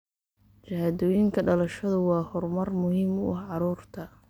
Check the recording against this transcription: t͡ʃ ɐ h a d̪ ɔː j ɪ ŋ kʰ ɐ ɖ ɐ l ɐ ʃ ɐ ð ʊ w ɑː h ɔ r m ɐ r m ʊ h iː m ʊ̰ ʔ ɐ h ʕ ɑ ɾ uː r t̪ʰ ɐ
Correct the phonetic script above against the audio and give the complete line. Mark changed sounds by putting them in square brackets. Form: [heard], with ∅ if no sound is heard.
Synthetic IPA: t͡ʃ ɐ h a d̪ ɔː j ɪ ŋ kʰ ɐ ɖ ɐ l ɐ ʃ ɐ ð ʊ w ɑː h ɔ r m ɐ r m ʊ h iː m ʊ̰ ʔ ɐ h ʕ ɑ ɾ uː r t̪ʰ ɐ